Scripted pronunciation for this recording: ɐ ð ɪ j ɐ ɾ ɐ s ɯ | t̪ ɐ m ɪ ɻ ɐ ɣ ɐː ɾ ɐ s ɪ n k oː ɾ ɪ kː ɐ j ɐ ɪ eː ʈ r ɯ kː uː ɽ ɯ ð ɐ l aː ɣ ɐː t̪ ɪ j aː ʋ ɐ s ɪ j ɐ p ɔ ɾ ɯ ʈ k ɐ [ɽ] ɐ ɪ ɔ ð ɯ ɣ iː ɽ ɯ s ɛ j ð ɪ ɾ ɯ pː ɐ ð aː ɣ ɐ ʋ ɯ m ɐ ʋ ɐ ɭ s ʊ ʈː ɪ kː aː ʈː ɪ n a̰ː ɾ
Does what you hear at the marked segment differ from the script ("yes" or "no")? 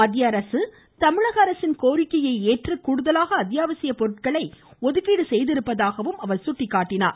yes